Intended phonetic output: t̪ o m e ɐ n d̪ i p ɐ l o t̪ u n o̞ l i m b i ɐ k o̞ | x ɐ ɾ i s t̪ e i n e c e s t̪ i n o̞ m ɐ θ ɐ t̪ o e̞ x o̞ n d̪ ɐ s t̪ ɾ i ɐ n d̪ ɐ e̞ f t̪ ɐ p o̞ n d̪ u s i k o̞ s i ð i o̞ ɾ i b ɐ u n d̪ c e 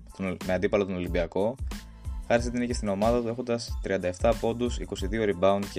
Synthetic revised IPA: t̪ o m e ɐ n d̪ i p ɐ l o t̪ o n o̞ l i m b i ɐ k o̞ | x ɐ ɾ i s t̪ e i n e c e s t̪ i n o̞ m ɐ ð ɐ t̪ u e̞ x o̞ n d̪ ɐ s t̪ ɾ i ɐ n d̪ ɐ e̞ f t̪ ɐ p o̞ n d̪ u s i k o̞ s i ð i o̞ ɾ i b ɐ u n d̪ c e